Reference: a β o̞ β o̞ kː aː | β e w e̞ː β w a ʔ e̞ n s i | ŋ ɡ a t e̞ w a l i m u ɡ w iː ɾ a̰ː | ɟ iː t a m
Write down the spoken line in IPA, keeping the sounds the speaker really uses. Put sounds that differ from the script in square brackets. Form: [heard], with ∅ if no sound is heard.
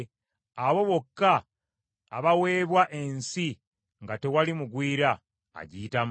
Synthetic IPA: a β o̞ β o̞ kː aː | β [a] w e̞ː β w a ʔ e̞ n s i | ŋ ɡ a t e̞ w a l i m u ɡ w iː ɾ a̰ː | ɟ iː t a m

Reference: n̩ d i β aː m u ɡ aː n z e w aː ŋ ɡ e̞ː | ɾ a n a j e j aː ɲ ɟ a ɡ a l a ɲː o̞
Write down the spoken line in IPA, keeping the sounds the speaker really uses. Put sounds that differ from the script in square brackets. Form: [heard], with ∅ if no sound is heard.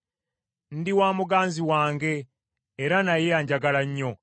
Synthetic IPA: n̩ d i [w] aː m u ɡ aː n z [i] w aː ŋ ɡ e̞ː | ɾ a n a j e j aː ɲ ɟ a ɡ a l a ɲː o̞

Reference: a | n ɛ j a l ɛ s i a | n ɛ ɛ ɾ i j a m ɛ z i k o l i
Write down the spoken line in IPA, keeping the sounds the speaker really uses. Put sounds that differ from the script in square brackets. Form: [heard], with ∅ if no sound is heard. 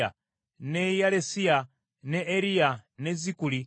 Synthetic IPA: a | n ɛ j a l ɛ s i a | n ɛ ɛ ɾ i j a [n] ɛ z i k [u] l i

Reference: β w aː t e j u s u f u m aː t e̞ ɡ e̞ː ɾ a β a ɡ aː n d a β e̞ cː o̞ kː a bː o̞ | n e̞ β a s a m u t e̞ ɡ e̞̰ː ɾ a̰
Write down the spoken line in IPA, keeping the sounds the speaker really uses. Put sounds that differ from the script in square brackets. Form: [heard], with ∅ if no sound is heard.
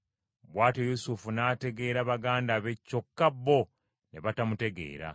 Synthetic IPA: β w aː t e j u s u f u [n] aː t e̞ ɡ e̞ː ɾ a β a ɡ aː n d a β e̞ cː o̞ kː a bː o̞ | n e̞ β a [t] a m u t e̞ ɡ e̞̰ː ɾ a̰

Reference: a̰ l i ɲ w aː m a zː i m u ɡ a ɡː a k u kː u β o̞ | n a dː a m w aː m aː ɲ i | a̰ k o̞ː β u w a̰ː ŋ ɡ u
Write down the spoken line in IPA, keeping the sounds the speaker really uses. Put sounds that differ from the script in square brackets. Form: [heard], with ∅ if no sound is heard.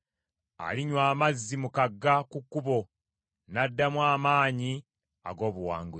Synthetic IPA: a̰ l i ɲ w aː m a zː i m u [k] a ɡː a k u kː u β o̞ | n a dː a m w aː m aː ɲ i | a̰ [ɡ] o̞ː β u w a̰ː ŋ ɡ u

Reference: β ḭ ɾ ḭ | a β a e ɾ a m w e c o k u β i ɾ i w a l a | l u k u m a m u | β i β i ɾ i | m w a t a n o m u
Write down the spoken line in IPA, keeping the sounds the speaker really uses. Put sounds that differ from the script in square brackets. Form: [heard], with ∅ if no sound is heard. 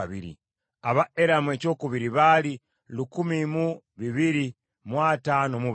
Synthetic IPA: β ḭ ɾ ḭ | a β a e ɾ a m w e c o k u β i ɾ i [β] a l [i] | l u k u m [i] m u | β i β i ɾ i | m w a t a n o m u

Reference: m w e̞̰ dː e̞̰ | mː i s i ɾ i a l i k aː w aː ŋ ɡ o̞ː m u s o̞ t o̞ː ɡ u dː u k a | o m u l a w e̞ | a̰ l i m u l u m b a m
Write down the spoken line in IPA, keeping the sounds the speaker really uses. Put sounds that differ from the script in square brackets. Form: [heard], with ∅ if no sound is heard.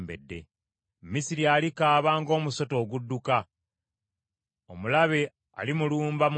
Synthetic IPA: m [b] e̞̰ dː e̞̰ | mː i s i ɾ i a l i k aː [β] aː ŋ ɡ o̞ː m u s o̞ t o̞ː ɡ u dː u k a | o m u l a [β] e̞ | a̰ l i m u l [uː] m b a m

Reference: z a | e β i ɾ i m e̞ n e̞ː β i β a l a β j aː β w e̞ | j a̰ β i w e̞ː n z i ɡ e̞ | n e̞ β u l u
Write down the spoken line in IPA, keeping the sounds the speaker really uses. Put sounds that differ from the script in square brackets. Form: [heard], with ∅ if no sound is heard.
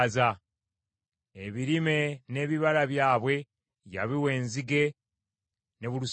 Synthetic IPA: z a | e β i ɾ i m e̞ n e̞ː β i β a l a β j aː β w e̞ | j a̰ β i w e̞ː n z i ɡ e̞ | n e̞ β u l u

